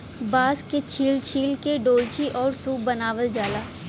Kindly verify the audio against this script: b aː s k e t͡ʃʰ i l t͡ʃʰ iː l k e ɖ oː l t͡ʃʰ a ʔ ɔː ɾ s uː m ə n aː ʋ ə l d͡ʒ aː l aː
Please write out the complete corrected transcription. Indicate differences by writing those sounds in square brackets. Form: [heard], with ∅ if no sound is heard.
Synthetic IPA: b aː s k e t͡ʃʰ [iː] l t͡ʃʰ iː l k e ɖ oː l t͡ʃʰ [i] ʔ ɔː ɾ s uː [b] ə n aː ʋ ə l d͡ʒ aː l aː